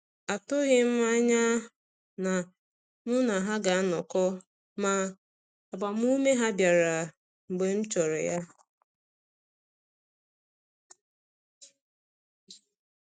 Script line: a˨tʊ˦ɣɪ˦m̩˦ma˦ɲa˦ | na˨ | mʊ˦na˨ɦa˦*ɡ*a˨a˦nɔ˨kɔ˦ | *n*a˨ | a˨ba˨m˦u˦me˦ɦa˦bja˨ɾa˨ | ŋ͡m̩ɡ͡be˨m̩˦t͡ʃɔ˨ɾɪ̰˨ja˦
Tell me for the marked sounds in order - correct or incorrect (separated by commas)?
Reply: correct, incorrect